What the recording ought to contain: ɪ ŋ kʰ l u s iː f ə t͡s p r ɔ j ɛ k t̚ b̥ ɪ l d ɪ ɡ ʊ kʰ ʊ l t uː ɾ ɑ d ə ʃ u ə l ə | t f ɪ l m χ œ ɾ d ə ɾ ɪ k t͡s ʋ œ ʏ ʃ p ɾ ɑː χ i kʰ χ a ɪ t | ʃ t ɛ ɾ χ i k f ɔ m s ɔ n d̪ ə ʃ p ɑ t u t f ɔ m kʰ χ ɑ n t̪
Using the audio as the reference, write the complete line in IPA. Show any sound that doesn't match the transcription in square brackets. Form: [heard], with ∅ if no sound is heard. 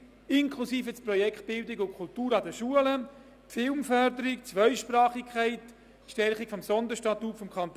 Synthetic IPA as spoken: ɪ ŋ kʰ l u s iː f ə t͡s p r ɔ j ɛ k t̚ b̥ ɪ l d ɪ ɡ ʊ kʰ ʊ l t uː ɾ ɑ d ə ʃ u ə l ə | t f ɪ l m [f] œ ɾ d ə ɾ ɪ k t͡s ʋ œ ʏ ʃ p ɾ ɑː χ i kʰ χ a ɪ t | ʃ t ɛ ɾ χ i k f ɔ m s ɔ n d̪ ə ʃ [t] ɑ t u t f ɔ m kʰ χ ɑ n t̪